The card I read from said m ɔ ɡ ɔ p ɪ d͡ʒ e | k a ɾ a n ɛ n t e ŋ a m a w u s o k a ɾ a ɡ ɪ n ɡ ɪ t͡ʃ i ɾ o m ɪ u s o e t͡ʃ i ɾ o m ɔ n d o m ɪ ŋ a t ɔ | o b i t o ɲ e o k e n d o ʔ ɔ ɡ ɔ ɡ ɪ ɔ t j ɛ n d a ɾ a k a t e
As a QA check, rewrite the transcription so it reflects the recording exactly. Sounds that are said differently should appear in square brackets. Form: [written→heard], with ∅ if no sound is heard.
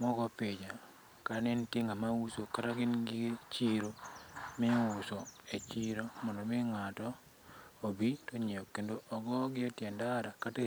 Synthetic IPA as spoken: m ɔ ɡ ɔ p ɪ d͡ʒ [e→a] | k a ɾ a n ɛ n t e ŋ a m a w u s o k a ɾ a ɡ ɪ n ɡ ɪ t͡ʃ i ɾ o m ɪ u s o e t͡ʃ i ɾ o m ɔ n d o m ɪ ŋ a t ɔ | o b i t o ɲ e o k e n d o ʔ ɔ ɡ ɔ ɡ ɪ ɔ t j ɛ n d a ɾ a k a t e